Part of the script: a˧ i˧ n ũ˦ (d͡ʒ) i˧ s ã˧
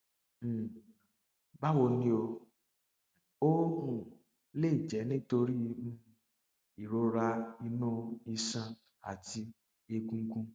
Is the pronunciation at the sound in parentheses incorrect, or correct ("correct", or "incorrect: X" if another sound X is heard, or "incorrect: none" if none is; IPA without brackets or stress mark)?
incorrect: none